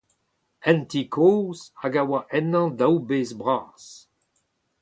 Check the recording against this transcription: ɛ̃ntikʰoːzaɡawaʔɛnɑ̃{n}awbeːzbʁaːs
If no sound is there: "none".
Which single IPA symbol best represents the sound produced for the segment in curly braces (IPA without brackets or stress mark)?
d